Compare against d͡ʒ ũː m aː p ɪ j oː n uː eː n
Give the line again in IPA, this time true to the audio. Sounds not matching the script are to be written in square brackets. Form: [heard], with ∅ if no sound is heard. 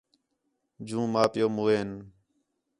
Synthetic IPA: d͡ʒ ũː m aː p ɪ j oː [m] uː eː n